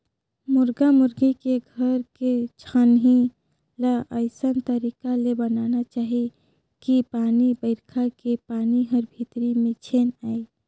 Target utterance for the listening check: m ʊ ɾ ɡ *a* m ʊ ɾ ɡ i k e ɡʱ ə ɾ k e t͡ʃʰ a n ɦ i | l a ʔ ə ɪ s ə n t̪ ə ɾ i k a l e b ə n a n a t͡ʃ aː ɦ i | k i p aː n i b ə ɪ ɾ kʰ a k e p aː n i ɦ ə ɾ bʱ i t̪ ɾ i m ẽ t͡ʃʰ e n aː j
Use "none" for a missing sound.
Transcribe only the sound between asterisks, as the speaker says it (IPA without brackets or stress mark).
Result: a